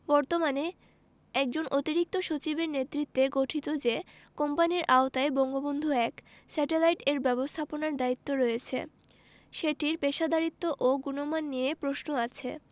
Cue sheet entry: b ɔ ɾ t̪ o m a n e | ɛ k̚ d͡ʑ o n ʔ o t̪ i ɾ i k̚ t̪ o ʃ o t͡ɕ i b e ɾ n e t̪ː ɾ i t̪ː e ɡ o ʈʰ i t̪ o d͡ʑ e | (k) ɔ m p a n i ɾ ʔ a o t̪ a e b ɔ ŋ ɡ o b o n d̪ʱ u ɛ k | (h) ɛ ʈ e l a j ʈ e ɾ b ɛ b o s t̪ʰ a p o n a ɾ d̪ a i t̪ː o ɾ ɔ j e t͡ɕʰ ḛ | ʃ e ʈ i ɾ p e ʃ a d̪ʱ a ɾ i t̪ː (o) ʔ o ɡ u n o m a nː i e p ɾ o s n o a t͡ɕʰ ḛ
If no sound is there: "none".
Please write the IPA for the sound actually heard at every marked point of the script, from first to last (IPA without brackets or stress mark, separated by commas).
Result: k, s, o